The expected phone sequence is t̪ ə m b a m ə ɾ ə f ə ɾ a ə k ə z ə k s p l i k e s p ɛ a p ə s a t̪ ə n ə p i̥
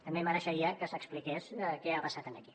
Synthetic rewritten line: t̪ ə m b e m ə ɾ ə ʃ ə ɾ i ə k ə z ə k s p l i k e s k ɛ a p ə s a t̪ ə n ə k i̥